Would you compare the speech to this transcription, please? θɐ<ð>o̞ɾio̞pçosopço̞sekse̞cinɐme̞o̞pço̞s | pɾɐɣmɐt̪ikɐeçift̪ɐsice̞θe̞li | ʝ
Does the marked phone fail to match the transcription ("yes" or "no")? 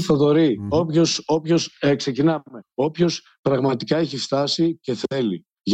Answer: no